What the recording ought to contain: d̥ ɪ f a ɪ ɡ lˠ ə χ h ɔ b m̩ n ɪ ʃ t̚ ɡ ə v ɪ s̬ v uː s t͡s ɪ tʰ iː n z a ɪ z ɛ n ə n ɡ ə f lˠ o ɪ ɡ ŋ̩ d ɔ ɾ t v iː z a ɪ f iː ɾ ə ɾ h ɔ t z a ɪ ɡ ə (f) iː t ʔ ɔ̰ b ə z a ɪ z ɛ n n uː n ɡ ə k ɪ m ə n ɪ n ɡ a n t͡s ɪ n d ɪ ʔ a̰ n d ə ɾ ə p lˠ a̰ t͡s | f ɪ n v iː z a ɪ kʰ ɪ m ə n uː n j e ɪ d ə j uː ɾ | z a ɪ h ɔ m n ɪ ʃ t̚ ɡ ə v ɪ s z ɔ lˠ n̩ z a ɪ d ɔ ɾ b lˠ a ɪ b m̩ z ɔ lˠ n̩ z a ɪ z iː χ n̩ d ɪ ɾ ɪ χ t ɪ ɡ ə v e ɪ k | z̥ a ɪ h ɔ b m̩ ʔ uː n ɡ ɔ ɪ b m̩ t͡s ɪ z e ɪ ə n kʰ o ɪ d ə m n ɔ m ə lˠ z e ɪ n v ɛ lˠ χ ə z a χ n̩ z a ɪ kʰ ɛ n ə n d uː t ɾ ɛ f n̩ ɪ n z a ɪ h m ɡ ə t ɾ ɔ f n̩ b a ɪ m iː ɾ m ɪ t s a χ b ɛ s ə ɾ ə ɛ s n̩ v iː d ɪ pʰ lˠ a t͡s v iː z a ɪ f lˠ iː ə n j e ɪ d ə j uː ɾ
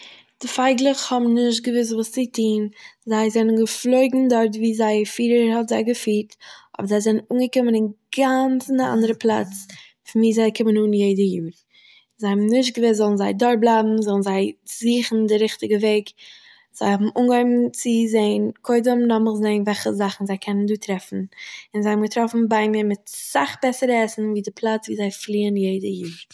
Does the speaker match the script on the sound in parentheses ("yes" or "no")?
yes